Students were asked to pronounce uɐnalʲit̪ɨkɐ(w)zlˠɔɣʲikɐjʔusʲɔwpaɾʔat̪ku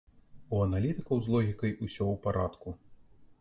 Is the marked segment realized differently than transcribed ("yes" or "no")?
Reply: no